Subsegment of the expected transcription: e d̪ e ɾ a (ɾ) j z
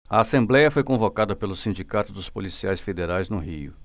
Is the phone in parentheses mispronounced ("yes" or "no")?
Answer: yes